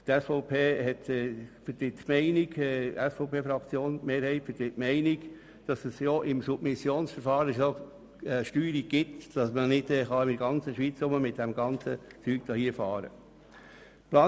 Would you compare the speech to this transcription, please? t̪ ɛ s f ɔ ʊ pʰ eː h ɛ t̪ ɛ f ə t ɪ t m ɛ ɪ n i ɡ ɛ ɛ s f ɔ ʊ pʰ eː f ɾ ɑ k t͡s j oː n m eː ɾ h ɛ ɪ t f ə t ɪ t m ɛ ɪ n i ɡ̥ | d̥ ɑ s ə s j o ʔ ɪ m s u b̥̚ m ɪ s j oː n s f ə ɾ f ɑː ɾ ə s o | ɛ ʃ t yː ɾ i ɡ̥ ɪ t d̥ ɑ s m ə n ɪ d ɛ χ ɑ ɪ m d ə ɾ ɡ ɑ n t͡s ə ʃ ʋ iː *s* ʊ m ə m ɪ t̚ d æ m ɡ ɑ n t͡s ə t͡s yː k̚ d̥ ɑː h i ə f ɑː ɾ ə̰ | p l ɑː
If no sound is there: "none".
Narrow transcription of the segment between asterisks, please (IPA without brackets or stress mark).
t͡s